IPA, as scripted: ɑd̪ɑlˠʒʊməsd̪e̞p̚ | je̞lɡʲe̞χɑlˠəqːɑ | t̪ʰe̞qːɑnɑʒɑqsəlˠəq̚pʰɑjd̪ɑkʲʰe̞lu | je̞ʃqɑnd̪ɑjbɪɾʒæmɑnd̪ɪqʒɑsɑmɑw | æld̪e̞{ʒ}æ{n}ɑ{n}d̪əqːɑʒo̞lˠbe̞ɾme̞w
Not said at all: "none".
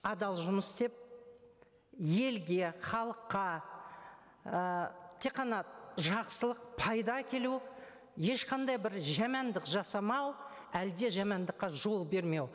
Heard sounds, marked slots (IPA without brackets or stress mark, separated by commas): ʒ, m, n